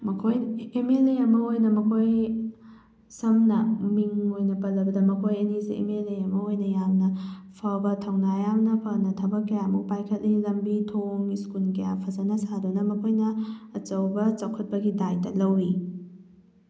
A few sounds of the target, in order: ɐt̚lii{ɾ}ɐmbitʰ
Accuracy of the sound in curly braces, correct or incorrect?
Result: incorrect